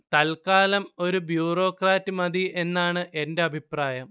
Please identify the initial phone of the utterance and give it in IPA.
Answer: t̪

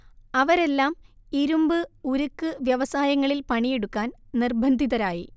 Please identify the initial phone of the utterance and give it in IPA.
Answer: ɐ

